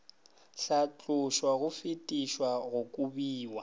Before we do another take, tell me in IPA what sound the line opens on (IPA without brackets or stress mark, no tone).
ɬ